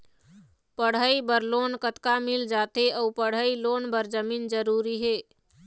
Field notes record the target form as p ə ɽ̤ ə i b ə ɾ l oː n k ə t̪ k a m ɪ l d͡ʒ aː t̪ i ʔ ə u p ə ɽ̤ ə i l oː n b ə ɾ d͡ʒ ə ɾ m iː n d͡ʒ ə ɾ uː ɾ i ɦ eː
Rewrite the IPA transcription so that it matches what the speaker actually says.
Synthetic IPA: p ə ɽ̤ ə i b ə ɾ l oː n k ə t̪ k a m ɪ l d͡ʒ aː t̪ e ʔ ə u p ə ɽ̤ ə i l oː n b ə ɾ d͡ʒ ə m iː n d͡ʒ ə ɾ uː ɾ i ɦ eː